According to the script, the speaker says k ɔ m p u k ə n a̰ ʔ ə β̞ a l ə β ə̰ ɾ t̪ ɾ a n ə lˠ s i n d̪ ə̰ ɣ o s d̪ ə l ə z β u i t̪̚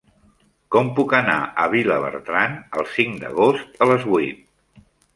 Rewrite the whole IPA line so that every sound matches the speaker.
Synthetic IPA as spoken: k ɔ m p u k ə n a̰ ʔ ə β̞ i l ə β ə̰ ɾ t̪ ɾ a n ə lˠ s i ŋ d̪ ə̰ ɣ o s t̪ ə l ə z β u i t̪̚